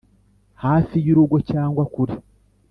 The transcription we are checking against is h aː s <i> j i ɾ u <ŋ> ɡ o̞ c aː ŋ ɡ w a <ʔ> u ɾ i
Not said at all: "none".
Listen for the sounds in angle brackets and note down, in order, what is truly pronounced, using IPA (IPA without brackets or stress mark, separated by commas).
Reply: i, none, k